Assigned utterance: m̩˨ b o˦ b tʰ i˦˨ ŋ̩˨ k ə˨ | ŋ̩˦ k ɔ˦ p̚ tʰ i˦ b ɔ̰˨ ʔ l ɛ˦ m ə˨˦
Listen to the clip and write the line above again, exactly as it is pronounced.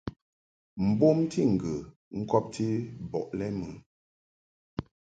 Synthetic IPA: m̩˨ b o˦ m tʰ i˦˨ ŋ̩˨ ɡ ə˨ | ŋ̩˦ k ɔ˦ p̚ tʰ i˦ b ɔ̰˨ ʔ l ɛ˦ m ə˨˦